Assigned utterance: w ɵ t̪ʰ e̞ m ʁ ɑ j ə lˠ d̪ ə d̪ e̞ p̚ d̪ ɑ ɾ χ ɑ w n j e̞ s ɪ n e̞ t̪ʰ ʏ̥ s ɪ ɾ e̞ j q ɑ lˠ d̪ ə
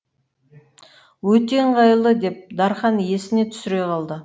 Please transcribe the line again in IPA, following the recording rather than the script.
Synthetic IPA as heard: w ɵ t̪ e̞ ɴ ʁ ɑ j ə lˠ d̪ ə d̪ e̞ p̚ d̪ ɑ ɾ χ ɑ n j e̞ s ɪ n e̞ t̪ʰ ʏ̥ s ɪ ɾ e̞ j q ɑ lˠ d̪ ə